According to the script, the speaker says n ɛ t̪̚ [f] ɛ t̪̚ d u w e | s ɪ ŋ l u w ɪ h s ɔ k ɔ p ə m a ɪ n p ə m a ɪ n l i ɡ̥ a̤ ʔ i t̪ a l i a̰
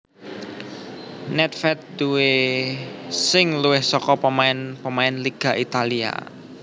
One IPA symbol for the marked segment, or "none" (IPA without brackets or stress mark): f